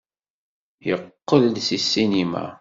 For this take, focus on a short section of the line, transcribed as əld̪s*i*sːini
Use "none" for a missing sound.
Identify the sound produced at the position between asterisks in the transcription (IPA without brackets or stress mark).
i